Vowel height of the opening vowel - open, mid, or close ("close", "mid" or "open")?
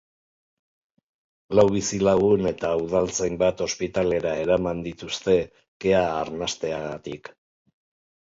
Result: open